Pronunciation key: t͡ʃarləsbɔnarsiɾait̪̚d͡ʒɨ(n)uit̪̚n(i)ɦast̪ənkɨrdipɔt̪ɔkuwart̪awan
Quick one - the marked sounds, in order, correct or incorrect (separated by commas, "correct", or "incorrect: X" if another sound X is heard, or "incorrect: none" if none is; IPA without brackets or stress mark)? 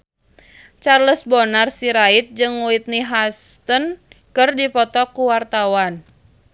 incorrect: ŋ, correct